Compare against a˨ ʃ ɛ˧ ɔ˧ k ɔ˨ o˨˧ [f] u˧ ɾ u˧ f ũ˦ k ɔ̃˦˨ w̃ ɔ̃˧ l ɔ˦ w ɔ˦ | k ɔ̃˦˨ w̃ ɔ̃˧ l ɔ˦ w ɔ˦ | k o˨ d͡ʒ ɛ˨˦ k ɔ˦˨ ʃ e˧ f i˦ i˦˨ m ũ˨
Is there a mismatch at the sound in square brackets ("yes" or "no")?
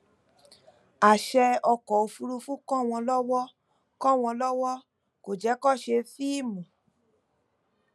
no